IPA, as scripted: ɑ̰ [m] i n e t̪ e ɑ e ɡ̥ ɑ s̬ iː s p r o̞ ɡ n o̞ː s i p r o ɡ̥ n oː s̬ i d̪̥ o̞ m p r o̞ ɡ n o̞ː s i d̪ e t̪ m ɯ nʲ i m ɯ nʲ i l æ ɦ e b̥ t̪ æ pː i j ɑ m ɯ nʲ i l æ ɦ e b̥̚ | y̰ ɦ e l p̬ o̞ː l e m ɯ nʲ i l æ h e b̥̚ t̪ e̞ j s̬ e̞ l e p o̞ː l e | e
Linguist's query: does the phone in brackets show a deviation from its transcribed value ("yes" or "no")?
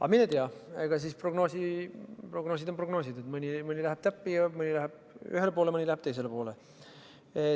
no